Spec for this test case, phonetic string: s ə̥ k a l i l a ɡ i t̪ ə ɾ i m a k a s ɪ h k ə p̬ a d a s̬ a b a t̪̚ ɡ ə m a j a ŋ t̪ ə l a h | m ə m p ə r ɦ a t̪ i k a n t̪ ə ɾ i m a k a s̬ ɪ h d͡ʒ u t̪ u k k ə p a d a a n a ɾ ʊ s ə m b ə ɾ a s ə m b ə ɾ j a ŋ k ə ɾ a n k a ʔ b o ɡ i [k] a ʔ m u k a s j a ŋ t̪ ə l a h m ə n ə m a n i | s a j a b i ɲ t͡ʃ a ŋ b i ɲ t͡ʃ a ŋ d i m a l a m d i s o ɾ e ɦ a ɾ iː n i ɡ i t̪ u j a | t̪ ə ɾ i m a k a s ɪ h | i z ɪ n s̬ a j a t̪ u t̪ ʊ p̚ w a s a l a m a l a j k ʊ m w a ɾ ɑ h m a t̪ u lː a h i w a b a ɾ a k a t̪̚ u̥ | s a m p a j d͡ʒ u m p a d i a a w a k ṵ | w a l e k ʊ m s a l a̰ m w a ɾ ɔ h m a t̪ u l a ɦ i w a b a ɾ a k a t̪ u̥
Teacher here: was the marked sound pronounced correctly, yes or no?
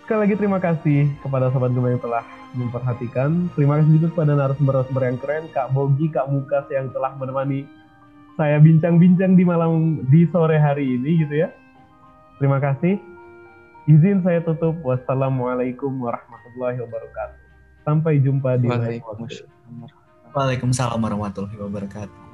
yes